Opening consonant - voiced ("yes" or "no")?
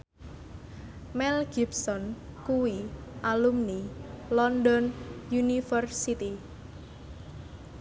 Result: yes